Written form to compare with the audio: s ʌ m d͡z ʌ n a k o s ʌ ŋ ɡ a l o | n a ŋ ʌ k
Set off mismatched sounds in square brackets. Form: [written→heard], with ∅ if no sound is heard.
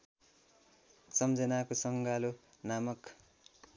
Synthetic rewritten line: s ʌ m d͡z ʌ n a k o s ʌ ŋ ɡ a l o | n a [ŋ→m] ʌ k